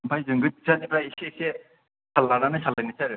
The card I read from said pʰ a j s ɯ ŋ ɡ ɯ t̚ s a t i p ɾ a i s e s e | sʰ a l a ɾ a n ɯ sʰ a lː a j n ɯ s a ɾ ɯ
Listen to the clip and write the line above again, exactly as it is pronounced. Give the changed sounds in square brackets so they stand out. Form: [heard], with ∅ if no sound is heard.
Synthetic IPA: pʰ a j [z] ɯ ŋ ɡ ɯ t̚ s a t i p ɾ a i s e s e | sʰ a l a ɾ a n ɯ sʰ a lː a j n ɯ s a ɾ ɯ